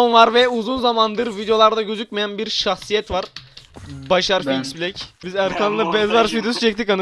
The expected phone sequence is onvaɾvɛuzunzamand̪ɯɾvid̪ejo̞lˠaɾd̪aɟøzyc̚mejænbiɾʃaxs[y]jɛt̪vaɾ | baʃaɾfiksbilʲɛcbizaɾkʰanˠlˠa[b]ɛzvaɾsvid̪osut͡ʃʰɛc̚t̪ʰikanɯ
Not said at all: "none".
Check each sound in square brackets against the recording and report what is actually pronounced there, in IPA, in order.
i, b

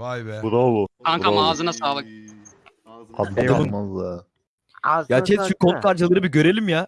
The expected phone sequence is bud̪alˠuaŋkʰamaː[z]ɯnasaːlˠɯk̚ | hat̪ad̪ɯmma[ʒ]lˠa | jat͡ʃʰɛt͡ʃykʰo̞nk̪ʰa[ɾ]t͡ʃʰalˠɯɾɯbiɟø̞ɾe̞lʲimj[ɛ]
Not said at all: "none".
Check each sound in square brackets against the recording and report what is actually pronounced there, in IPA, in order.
z, z, ɾ, a

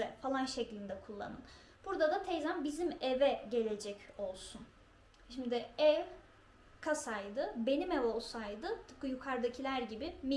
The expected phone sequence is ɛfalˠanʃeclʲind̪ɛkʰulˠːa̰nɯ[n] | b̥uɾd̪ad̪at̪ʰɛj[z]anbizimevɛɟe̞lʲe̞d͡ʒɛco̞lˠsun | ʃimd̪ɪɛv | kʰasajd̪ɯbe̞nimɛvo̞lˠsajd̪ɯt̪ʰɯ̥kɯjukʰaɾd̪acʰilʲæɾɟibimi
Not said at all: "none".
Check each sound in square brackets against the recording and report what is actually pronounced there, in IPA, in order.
n, z

